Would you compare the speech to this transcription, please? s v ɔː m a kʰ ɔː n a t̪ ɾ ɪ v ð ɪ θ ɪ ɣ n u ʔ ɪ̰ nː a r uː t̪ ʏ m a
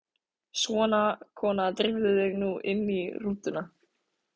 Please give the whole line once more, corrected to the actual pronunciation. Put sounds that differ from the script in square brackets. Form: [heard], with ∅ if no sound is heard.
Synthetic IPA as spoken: s v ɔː [n] a kʰ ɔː n a t̪ ɾ ɪ v ð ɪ [ð] ɪ ɣ n u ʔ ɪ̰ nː [i] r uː t̪ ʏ [n] a